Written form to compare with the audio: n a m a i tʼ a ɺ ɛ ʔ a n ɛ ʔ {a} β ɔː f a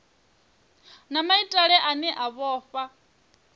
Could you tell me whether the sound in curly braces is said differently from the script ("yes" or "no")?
no